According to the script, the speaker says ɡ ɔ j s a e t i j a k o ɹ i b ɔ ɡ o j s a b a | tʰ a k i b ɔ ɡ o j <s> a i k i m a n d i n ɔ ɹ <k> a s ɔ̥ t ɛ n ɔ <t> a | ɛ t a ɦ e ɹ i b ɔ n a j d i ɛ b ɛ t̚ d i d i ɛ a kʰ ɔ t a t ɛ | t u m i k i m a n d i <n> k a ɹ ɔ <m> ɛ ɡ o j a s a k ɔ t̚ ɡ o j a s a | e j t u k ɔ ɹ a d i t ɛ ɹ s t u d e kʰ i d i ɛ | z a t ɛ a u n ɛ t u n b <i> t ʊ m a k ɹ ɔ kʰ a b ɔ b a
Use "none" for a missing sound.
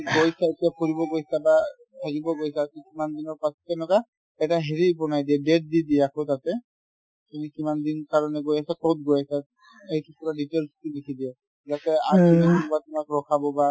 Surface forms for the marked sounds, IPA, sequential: s, p, k, n, n, a

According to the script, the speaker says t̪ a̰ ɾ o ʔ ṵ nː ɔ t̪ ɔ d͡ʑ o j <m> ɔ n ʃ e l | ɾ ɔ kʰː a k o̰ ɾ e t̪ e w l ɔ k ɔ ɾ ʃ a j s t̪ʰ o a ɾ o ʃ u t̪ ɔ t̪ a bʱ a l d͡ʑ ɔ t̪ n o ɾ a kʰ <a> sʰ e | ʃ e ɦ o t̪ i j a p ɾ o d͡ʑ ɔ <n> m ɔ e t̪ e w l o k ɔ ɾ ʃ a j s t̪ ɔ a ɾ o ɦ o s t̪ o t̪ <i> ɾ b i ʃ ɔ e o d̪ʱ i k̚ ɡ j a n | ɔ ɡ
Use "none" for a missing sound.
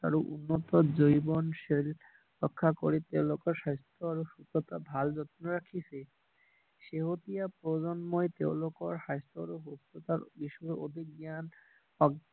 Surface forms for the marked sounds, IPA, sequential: b, i, n, a

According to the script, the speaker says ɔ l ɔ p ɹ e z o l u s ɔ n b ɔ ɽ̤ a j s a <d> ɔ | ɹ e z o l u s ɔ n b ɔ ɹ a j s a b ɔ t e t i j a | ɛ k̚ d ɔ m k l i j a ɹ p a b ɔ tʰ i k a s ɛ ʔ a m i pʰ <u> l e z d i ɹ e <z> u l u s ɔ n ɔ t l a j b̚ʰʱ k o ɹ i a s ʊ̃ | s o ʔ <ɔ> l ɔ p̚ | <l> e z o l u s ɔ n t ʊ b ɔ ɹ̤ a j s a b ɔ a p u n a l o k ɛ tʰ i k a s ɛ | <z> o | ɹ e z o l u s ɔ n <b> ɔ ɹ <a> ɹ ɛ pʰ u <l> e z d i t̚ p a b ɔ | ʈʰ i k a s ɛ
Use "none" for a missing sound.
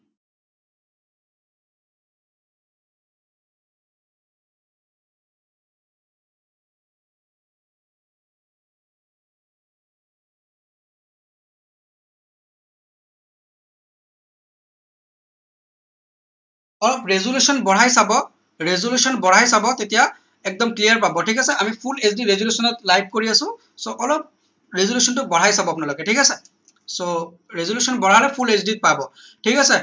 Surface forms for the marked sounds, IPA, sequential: b, u, z, ɔ, ɹ, s, b, a, l

